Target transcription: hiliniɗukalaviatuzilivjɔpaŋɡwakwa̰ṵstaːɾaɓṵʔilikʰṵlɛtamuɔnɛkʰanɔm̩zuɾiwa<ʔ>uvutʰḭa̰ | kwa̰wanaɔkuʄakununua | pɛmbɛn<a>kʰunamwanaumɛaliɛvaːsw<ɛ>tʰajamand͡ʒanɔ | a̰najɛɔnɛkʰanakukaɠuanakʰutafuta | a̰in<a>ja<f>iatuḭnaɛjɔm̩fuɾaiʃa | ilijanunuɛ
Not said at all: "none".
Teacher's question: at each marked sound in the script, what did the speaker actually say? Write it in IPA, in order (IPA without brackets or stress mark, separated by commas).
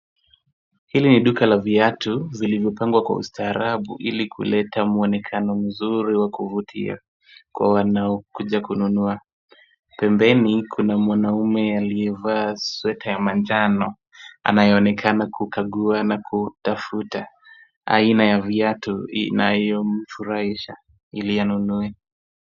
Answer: k, i, ɛ, a, v